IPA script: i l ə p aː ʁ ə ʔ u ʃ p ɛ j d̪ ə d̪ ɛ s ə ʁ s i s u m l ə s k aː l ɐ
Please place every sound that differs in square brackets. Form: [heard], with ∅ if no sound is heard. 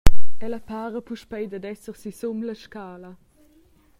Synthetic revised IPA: [ɛ] l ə p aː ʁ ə [p] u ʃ p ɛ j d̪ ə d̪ ɛ s ə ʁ s i s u m l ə [ʃ] k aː l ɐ

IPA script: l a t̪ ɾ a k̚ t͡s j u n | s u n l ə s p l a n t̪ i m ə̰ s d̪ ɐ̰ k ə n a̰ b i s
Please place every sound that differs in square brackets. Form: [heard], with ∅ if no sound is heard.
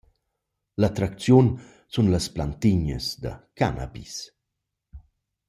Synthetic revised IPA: l a t̪ ɾ a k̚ t͡s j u n | s u n l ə s p l a n t̪ i [ɲ] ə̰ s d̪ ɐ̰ k [a] n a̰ b i s

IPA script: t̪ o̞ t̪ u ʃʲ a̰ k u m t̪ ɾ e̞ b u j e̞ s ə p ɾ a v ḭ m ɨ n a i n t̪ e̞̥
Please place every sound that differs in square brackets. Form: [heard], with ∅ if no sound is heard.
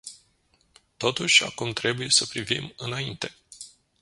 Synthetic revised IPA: t̪ o̞ t̪ u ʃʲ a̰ k u m t̪ ɾ e̞ b u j e̞ s ə p ɾ [i] v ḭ m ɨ n a i n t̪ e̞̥

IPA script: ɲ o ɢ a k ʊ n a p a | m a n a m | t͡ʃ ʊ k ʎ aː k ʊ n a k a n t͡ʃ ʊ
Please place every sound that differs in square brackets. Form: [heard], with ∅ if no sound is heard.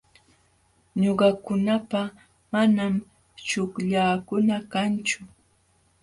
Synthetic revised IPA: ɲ o ɢ [ɑ] k ʊ n a p a | m a n a m | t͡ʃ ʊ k ʎ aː k ʊ n a k a n t͡ʃ ʊ

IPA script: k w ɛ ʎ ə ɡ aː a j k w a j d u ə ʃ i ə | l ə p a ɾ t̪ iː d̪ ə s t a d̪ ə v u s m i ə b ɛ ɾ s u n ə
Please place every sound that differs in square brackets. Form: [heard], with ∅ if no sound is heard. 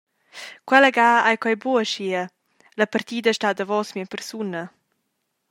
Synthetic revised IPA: k w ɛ [l] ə ɡ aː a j k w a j [b] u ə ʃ i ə | l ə p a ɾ t̪ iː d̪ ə [ʃ] t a d̪ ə v [ɔ] s m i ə [p] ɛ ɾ s u n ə

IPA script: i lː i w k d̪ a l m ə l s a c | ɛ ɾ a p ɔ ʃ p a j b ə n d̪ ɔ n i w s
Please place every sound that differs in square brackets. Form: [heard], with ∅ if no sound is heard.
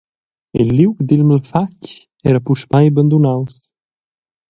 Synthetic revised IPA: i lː i w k d̪ [i] l m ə l [f] a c | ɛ ɾ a p [u] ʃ p a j b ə n d̪ [u] n [a] w s

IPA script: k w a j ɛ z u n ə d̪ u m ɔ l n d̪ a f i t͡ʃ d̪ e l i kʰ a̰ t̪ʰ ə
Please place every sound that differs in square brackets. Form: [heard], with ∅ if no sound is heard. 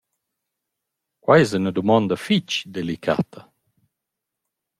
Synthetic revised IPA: k w a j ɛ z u n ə d̪ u m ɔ [∅] n d̪ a f i t͡ʃ d̪ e l i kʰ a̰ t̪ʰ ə

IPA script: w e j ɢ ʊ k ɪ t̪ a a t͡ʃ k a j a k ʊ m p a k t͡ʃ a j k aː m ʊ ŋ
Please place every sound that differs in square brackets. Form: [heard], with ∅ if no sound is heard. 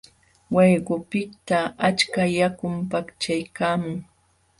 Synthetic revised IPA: w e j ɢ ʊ [p] ɪ t̪ a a t͡ʃ k a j a k ʊ m p a k t͡ʃ a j k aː m ʊ ŋ

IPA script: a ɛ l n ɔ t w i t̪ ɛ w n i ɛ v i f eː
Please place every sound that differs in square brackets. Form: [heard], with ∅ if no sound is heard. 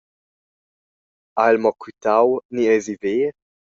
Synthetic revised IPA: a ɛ l [m] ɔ [k] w i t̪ [a] w n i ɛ [z] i [v] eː

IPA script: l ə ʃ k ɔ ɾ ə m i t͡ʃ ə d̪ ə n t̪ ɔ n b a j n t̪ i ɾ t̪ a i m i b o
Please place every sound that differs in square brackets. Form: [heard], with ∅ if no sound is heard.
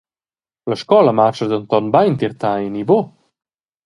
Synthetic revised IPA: l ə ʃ k ɔ [l] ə m [a] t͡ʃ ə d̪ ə n t̪ ɔ n b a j n t̪ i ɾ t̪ a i [n] i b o

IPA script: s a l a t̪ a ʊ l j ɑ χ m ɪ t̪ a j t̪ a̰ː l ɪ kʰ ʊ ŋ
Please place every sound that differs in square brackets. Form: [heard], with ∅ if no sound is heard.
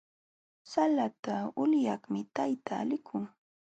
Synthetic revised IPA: s a l a t̪ a ʊ l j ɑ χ m ɪ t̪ a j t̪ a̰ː l ɪ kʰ ʊ ŋ

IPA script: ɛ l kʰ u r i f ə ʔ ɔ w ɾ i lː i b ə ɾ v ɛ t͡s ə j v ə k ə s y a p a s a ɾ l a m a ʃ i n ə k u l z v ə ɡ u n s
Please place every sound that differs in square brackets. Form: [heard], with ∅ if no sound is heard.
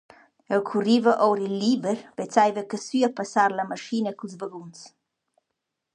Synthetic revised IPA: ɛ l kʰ u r i [v] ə ʔ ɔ w ɾ i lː i b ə ɾ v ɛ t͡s [a] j v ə k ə s y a p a s a ɾ l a m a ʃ i n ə k u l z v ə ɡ u n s

